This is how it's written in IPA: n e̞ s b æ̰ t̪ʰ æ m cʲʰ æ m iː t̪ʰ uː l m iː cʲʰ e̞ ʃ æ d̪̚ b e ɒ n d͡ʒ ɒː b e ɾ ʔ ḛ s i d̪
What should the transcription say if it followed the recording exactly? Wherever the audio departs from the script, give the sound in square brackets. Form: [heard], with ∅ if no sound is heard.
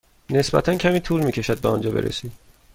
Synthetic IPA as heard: n e̞ s b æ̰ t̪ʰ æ [n] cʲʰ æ m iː t̪ʰ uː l m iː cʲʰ e̞ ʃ æ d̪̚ b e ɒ n d͡ʒ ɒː b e ɾ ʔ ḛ s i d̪